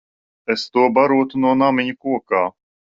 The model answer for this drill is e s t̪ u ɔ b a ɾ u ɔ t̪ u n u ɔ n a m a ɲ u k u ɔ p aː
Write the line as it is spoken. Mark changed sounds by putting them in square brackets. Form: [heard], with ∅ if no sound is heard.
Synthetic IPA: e s t̪ u ɔ b a ɾ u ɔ t̪ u n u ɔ n a m [i] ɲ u k u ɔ [k] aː